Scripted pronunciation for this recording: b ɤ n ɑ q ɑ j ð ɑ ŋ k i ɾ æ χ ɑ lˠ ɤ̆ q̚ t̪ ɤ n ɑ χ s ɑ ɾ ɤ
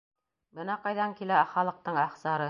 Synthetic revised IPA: b ɤ n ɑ q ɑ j ð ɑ ŋ k i l æ χ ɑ lˠ ɤ̆ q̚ t̪ ɤ ɴ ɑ χ s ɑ ɾ ɤ